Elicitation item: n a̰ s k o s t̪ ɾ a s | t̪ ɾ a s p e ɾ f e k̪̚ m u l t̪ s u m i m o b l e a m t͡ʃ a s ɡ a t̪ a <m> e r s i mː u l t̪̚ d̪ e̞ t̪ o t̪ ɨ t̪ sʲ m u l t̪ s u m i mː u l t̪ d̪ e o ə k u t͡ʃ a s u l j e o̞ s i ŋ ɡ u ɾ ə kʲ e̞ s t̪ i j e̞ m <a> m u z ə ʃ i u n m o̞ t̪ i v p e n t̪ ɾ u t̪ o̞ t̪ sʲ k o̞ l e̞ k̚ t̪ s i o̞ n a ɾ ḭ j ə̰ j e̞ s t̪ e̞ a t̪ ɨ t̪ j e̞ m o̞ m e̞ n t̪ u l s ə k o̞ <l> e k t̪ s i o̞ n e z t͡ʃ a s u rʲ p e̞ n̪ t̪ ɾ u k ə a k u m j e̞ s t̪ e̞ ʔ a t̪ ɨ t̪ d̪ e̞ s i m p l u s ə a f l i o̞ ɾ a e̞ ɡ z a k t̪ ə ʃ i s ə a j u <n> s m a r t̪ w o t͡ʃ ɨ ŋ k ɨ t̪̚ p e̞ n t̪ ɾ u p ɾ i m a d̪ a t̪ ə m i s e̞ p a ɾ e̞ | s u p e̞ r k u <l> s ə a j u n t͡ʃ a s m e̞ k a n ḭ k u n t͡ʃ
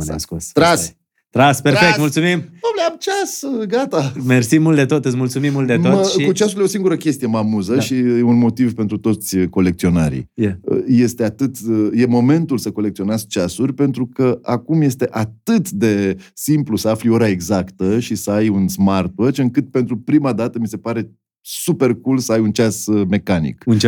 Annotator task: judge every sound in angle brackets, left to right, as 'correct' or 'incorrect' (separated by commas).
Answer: correct, correct, correct, correct, correct